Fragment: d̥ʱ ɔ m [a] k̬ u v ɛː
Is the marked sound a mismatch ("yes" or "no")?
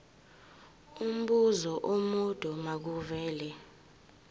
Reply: no